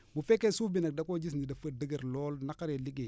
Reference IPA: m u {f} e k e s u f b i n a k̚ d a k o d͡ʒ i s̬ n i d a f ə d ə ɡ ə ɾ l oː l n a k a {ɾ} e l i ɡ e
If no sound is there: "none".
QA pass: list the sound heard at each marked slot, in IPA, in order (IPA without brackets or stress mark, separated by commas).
f, ɾ